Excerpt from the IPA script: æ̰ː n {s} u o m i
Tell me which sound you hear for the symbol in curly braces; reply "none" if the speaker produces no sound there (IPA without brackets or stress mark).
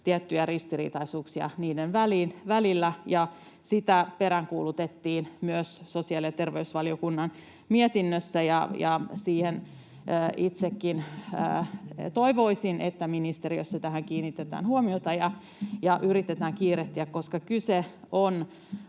h